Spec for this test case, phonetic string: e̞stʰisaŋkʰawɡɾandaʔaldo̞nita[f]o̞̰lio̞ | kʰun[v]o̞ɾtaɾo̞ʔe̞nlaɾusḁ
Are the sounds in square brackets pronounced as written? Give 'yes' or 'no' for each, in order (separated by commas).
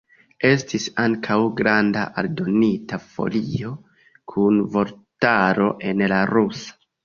yes, yes